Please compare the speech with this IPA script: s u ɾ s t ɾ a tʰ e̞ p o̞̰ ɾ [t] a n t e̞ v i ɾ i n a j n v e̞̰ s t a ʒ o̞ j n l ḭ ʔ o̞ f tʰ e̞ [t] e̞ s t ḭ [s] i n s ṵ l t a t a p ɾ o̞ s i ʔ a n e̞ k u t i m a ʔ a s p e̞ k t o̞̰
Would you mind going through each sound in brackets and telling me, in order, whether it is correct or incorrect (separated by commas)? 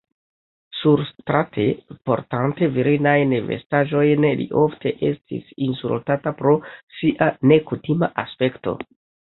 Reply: correct, incorrect, correct